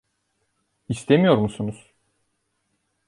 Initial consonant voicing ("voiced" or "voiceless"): voiceless